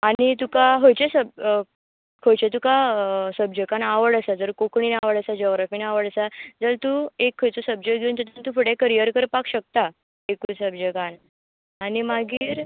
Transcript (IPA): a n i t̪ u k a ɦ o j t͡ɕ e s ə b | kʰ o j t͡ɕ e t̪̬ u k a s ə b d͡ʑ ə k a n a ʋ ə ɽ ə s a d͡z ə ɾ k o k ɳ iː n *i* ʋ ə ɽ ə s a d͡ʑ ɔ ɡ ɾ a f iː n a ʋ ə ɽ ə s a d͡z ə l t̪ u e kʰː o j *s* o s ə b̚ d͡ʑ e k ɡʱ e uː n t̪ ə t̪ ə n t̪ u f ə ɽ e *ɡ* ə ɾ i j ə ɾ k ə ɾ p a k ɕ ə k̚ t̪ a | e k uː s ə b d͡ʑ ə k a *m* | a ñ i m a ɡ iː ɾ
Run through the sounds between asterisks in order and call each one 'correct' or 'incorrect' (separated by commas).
incorrect, incorrect, incorrect, incorrect